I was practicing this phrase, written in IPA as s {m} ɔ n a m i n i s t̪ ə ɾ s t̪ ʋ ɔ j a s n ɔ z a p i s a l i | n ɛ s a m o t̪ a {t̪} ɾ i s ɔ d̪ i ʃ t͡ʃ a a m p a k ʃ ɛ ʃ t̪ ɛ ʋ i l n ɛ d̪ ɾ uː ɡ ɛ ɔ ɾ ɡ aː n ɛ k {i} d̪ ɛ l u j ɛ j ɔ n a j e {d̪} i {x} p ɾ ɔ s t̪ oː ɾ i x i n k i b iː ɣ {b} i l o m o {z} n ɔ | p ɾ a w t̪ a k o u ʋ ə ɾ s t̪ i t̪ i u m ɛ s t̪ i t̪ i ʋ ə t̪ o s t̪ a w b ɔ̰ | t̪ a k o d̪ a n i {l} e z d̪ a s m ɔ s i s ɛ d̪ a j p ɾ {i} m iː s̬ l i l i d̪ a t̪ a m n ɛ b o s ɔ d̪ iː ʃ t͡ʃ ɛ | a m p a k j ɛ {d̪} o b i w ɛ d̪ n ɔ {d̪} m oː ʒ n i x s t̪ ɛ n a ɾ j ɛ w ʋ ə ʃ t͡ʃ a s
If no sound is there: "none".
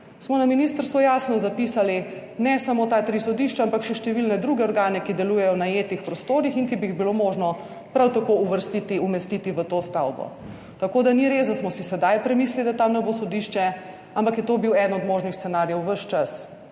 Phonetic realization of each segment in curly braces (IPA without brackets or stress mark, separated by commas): m, t̪, i, t̪, x, b, ʒ, ɾ, ɛ, t̪, d̪